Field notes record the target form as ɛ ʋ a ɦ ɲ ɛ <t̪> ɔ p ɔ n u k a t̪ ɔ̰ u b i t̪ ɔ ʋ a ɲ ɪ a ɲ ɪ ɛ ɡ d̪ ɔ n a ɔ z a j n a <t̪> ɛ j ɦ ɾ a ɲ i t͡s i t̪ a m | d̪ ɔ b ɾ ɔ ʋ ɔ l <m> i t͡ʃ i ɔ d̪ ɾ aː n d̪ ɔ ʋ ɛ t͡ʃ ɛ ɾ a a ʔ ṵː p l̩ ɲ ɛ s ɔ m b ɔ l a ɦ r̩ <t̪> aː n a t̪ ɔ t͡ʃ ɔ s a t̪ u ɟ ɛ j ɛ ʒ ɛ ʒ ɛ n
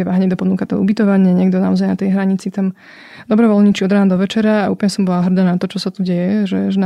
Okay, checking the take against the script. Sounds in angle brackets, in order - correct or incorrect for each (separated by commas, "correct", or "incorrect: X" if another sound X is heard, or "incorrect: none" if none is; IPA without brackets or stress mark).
incorrect: d̪, correct, incorrect: ɲ, incorrect: d̪